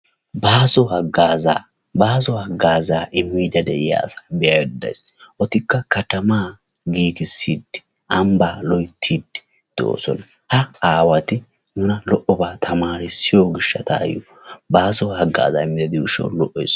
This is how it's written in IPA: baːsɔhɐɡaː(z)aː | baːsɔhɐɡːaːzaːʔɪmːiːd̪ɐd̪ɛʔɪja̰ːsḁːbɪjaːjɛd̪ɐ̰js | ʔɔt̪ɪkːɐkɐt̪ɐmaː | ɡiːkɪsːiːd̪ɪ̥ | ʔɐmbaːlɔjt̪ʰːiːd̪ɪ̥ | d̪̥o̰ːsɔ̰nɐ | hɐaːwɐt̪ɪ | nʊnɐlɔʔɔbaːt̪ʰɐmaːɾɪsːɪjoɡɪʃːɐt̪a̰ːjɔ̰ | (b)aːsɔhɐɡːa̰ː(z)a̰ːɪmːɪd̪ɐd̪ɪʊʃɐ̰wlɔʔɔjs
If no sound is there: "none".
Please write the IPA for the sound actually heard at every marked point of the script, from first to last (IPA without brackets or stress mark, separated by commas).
z, b, z